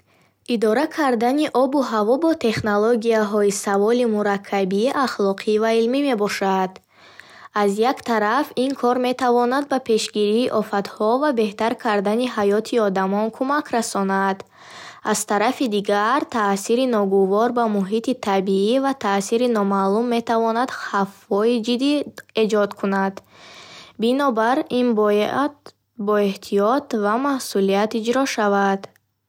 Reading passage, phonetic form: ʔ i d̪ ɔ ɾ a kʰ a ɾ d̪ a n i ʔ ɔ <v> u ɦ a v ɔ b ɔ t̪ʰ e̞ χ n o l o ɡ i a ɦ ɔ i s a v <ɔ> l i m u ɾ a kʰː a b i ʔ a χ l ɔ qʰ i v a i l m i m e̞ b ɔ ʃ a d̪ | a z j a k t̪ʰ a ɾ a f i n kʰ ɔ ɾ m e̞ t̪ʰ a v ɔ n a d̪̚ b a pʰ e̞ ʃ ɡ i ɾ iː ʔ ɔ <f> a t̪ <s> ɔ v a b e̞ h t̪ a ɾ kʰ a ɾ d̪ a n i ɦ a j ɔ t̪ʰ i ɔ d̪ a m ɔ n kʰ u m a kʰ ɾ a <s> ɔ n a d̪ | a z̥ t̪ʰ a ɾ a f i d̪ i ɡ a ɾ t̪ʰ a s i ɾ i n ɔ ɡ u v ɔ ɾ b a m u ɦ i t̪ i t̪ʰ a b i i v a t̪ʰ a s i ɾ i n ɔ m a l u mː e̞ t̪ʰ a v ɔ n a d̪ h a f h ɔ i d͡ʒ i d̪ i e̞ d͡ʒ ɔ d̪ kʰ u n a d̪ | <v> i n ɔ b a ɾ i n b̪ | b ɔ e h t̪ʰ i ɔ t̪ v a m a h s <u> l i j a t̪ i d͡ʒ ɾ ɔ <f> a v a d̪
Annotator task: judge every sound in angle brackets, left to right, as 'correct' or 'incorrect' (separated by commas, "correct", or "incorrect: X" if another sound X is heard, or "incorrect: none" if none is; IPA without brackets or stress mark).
incorrect: b, correct, correct, incorrect: h, correct, incorrect: b, correct, incorrect: ʃ